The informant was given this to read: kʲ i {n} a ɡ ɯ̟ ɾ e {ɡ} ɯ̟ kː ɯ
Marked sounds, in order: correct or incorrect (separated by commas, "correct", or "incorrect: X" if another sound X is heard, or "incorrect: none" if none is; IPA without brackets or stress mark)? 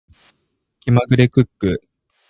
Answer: incorrect: m, incorrect: k